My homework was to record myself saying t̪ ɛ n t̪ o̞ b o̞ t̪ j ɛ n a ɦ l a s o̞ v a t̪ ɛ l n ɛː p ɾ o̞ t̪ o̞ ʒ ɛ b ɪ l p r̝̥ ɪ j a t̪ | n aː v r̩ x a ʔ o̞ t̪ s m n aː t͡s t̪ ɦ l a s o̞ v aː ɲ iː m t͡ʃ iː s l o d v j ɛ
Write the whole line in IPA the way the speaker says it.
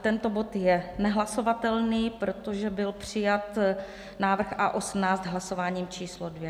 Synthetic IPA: t̪ ɛ n t̪ o̞ b o̞ t̪ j ɛ n ɛ ɦ l a s o̞ v a t̪ ɛ l n iː p ɾ o̞ t̪ o̞ ʒ ɛ b ɪ l p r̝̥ ɪ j a t̪ | n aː v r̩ x a ʔ o̞ s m n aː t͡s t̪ ɦ l a s o̞ v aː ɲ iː m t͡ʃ iː s l o d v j ɛ